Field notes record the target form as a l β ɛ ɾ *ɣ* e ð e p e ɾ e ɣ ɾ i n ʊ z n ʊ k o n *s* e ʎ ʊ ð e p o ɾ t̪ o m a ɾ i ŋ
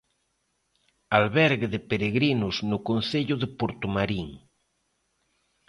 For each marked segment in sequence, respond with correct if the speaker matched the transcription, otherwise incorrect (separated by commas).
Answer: correct, incorrect